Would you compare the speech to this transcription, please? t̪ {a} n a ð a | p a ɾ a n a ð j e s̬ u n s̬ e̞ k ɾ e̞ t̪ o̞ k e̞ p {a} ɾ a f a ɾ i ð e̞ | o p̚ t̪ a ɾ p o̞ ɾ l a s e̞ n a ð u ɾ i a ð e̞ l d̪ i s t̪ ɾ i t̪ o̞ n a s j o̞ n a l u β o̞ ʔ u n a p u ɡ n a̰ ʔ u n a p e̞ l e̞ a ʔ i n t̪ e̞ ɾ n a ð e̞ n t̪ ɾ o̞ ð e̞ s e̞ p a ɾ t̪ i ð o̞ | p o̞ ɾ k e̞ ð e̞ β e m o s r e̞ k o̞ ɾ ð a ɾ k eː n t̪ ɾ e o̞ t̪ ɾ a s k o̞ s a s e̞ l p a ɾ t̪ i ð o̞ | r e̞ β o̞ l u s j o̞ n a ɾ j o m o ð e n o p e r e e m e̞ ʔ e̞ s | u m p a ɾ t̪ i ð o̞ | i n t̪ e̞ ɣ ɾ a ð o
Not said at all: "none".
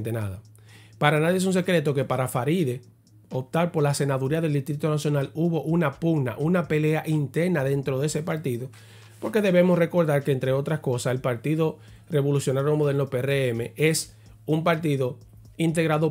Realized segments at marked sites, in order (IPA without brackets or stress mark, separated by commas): e, a